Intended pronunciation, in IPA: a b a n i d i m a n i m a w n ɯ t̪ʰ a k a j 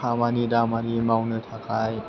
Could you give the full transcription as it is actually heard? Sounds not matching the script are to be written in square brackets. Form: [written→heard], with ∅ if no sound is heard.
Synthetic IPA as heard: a [b→m] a n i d [i→a] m a n i m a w n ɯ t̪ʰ a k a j